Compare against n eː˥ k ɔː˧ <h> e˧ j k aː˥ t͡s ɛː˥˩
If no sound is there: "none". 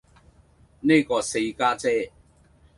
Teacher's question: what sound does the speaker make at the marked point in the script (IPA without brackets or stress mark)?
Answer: s